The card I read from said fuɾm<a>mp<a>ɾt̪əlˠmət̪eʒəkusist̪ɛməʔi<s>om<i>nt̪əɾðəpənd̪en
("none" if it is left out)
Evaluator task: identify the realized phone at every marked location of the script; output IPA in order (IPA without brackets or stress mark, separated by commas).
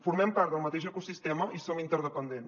ɛ, a, s, i